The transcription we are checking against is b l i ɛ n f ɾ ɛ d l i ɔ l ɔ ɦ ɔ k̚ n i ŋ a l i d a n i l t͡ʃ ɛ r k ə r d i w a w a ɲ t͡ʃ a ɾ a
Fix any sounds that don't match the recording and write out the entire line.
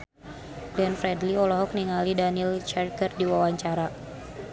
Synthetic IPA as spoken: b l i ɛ n f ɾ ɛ d l i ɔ l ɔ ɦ ɔ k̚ n i ŋ a l i d a n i l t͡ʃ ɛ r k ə r d i w a w a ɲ t͡ʃ a ɾ a